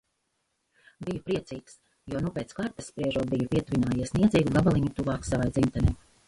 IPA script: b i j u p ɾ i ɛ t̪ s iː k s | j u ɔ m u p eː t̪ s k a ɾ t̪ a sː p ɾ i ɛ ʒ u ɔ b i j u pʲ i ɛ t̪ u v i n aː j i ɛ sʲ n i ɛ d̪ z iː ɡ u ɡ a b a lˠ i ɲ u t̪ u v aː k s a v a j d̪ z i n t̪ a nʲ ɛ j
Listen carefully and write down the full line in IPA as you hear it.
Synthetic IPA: b i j u p ɾ i ɛ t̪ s iː k s | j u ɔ n u p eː t̪ s k a ɾ t̪ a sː p ɾ i ɛ ʒ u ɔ b i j u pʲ i ɛ t̪ u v i n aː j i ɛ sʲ n i ɛ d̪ z iː ɡ u ɡ a b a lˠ i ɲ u t̪ u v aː k s a v a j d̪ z i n t̪ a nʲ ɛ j